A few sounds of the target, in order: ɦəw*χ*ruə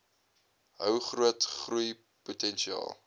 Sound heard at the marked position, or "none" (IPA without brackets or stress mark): χ